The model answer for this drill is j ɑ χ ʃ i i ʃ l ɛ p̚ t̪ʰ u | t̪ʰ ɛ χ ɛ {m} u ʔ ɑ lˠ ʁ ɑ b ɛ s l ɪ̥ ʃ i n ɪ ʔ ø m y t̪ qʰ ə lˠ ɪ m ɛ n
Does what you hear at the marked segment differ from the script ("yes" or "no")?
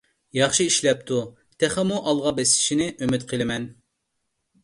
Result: no